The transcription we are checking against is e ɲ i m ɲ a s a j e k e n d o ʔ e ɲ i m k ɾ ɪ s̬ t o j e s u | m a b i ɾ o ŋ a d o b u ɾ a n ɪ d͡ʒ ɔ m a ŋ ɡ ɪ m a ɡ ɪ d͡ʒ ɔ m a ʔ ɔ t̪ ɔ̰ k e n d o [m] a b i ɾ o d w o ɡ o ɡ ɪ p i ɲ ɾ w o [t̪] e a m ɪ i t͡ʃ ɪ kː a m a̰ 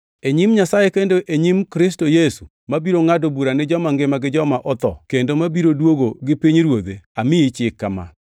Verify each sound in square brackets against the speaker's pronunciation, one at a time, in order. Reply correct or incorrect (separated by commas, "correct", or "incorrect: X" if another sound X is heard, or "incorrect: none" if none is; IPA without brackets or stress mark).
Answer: correct, incorrect: d̪